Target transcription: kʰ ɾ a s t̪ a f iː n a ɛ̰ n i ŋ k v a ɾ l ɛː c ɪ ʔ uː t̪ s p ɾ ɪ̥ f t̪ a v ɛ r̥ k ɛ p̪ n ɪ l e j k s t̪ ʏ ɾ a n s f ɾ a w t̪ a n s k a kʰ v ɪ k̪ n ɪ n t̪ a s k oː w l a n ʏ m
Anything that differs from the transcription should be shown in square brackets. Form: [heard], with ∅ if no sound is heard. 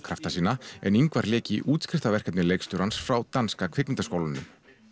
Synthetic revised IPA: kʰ ɾ a [f] t̪ a [s] iː n a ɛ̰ n i ŋ k v a ɾ l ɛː c ɪ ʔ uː t̪ s [k] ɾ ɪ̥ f t̪ a v ɛ r̥ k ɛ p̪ n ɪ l e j k s t̪ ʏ ɾ a n s f ɾ a w t̪ a n s k a kʰ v ɪ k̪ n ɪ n t̪ a s k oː w l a n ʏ m